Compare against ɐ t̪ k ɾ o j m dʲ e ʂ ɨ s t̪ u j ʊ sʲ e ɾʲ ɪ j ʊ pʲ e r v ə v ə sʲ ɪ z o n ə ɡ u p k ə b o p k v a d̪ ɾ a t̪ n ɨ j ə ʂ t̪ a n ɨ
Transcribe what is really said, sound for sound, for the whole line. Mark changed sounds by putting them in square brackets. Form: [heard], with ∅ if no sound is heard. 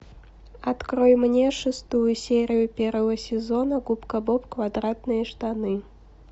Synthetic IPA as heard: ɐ t̪ k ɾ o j m [nʲ] e ʂ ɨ s t̪ u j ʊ sʲ e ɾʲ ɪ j ʊ pʲ e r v ə v ə sʲ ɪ z o n ə ɡ u p k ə b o p k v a d̪ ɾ a t̪ n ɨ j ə ʂ t̪ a n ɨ